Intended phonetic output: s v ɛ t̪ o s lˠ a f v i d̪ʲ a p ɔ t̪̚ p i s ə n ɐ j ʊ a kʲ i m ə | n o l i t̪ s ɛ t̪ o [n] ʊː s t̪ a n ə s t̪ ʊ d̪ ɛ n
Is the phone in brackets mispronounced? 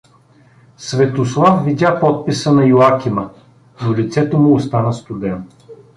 yes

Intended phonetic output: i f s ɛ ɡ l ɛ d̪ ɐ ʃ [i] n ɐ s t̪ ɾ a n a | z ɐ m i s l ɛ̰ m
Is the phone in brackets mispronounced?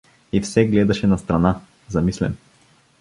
yes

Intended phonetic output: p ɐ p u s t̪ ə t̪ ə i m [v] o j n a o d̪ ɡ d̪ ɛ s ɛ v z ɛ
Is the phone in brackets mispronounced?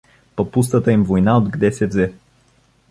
no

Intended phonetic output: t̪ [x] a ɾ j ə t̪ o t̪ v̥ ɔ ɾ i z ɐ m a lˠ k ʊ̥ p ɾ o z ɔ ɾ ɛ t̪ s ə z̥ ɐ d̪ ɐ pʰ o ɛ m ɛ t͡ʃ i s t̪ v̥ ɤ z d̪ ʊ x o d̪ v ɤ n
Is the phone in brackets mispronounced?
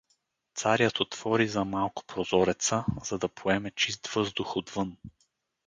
yes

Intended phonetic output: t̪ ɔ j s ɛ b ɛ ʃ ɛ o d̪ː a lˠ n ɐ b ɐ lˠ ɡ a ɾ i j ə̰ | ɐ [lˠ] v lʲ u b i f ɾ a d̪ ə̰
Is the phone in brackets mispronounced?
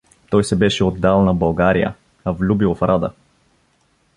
yes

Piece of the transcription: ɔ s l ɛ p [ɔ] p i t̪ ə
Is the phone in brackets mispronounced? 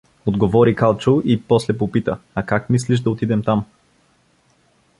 yes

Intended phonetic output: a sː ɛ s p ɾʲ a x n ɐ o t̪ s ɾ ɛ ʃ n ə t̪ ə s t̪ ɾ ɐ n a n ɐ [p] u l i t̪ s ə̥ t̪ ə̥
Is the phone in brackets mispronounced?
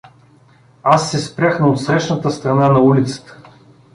yes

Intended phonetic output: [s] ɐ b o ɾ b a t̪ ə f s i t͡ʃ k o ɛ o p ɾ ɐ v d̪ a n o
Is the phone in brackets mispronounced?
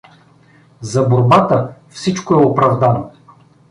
yes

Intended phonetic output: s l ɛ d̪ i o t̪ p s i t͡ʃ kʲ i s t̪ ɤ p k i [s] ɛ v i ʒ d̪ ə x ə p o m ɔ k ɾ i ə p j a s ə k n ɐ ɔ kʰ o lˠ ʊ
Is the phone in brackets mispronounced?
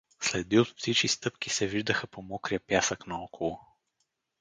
no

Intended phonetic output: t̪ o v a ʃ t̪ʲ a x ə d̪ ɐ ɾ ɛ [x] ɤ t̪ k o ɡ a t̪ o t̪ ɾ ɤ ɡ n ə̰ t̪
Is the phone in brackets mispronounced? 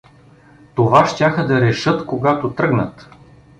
yes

